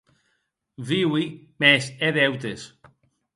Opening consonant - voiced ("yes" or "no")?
yes